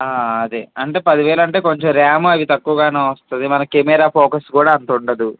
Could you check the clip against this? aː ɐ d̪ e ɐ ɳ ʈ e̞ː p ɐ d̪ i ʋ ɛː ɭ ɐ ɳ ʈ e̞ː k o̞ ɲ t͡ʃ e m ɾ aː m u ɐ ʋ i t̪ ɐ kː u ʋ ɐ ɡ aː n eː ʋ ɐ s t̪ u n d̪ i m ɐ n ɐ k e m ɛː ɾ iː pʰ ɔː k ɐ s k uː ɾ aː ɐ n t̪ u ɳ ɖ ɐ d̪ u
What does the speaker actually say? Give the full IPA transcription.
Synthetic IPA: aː ɐ d̪ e ɐ ɳ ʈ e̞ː p ɐ d̪ i ʋ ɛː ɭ ɐ ɳ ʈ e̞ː k o̞ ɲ t͡ʃ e m ɾ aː m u ɐ ʋ i t̪ ɐ kː u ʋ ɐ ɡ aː n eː ʋ ɐ s t̪ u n d̪ i m ɐ n ɐ k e m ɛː ɾ aː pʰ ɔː k ɐ s k uː ɽ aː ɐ n t̪ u ɳ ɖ ɐ d̪ u